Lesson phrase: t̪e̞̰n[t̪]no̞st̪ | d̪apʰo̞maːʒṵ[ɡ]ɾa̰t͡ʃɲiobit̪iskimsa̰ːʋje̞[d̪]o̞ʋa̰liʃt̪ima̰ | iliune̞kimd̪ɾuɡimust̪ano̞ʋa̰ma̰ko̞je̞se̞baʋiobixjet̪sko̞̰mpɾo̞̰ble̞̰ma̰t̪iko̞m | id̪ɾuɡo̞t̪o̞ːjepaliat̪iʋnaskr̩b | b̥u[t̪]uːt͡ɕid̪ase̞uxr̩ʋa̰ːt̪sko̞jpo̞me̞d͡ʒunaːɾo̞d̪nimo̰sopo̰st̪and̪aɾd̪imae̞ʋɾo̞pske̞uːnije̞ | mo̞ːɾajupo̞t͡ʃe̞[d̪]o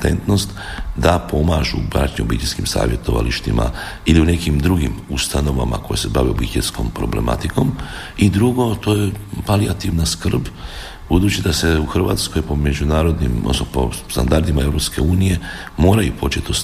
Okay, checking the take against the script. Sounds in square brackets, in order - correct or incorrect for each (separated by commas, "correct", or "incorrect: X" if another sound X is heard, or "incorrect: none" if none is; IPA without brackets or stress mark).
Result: correct, incorrect: b, incorrect: t̪, incorrect: d̪, incorrect: t̪